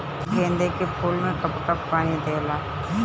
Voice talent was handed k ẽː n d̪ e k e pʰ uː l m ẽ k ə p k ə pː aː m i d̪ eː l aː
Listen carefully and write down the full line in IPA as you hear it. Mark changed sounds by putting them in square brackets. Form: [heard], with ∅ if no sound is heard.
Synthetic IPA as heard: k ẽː n d̪ e k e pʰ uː l m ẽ k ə p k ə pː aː [n] i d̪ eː l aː